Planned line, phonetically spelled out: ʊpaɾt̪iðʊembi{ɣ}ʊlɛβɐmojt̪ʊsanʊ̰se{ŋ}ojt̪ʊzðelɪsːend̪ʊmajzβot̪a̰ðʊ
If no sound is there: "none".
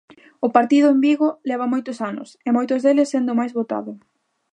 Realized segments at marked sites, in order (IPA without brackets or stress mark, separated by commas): ɣ, m